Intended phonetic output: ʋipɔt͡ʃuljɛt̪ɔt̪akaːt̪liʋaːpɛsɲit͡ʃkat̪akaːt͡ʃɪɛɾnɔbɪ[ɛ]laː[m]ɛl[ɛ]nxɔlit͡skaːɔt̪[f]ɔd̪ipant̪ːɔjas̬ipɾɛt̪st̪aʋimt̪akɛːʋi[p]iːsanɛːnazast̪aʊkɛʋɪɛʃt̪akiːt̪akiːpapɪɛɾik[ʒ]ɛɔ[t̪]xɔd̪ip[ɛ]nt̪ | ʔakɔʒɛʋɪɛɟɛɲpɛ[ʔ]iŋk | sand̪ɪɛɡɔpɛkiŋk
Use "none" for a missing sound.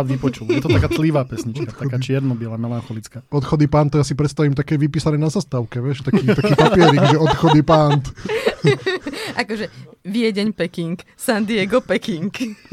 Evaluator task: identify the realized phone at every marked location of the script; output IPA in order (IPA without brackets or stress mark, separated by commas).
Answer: ɛ, m, a, x, p, ʒ, t̪, a, k